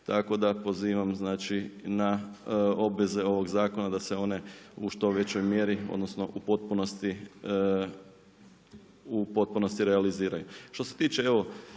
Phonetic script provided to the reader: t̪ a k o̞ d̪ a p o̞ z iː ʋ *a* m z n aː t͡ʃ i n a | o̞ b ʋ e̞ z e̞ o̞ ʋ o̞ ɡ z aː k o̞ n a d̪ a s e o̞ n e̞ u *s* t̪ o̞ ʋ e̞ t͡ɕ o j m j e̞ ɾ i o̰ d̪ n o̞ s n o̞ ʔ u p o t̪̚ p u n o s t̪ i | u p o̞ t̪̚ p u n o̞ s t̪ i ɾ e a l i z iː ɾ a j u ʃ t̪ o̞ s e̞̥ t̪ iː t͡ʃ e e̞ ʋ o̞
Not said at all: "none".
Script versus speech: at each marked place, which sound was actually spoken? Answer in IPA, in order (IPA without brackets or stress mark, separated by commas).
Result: a, ʃ